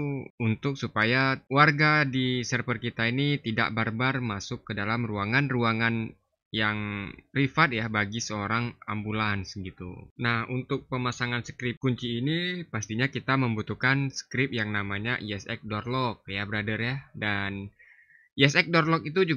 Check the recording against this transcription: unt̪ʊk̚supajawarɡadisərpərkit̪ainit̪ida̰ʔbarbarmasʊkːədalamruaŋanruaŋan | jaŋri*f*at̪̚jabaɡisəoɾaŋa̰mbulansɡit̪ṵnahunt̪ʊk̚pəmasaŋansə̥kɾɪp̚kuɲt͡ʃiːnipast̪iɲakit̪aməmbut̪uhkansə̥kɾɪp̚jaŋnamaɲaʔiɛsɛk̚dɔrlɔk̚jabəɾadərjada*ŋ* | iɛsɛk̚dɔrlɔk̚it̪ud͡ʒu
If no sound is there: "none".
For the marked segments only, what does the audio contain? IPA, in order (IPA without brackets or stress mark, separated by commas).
f, n